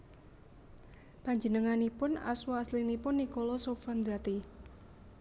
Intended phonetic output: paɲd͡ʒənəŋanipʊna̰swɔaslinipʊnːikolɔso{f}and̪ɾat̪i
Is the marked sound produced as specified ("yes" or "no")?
yes